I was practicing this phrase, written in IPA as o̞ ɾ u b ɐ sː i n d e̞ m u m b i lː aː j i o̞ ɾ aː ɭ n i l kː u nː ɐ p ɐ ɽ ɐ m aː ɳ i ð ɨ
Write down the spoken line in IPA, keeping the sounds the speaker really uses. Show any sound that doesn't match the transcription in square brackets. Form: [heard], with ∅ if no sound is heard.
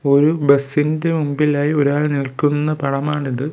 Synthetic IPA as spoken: o̞ ɾ u b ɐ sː i n d e̞ m u m b i [l] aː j i o̞ ɾ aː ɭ n i l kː u nː ɐ p ɐ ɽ ɐ m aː ɳ i ð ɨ